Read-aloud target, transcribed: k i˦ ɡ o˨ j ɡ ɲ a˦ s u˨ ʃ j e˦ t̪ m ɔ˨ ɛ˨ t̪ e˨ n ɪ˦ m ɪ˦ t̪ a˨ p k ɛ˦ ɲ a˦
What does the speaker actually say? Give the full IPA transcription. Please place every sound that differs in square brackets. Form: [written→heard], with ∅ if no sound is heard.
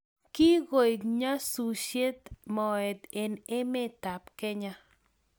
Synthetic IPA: k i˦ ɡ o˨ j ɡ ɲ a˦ s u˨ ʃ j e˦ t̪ m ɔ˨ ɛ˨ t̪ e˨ n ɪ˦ m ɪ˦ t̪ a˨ p k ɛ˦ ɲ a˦